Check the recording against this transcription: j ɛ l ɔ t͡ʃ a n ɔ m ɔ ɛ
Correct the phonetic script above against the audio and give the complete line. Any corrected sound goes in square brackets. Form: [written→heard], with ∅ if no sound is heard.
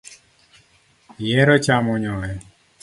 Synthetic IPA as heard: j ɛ [l→ɾ] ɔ t͡ʃ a [n→m] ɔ [m→ɲ] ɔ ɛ